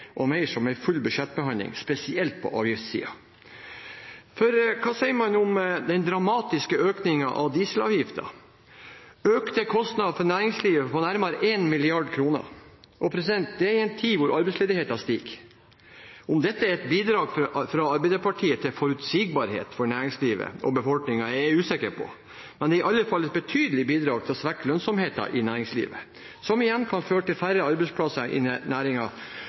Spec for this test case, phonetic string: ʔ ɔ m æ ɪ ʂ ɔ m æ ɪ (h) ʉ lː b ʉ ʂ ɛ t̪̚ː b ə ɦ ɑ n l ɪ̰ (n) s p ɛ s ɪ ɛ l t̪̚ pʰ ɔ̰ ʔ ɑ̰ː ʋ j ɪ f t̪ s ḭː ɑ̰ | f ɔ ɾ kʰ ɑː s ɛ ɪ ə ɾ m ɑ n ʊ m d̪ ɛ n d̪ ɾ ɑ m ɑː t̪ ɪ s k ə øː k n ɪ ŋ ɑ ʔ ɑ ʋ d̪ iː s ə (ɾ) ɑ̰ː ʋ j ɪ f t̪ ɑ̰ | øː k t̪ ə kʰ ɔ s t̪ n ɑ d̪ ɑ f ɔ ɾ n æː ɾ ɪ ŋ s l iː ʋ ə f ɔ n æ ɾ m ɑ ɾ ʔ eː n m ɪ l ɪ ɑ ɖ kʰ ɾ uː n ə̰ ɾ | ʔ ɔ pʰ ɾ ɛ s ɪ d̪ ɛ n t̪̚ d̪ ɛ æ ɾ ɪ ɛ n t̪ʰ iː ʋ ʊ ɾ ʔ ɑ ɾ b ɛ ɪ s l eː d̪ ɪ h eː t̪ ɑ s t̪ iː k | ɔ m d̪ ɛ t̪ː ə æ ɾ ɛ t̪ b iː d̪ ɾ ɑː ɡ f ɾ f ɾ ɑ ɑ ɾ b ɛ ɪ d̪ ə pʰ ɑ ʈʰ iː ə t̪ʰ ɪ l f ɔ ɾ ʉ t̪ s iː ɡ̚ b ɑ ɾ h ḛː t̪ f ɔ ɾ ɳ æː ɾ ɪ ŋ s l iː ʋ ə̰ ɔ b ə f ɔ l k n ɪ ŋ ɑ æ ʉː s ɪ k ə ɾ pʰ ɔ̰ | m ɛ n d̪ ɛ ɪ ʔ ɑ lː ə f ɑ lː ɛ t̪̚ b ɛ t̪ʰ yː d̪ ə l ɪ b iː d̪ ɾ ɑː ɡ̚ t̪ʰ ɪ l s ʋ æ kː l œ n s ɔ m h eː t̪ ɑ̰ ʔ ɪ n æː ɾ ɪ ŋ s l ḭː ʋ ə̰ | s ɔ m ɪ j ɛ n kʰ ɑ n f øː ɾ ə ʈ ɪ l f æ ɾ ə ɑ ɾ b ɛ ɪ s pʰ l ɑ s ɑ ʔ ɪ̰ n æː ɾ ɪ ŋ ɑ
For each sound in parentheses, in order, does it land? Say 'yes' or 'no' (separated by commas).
no, no, no